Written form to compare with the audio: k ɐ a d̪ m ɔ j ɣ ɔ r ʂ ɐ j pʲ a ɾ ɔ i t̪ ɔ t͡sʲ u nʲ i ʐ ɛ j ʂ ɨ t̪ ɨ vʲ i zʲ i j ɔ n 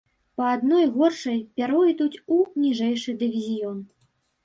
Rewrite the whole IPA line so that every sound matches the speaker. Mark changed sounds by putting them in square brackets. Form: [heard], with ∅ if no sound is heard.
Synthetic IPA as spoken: [p] ɐ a d̪ [n] ɔ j ɣ ɔ r ʂ ɐ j pʲ a ɾ ɔ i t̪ [u] t͡sʲ u nʲ i ʐ ɛ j ʂ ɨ [d̪] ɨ vʲ i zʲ i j ɔ n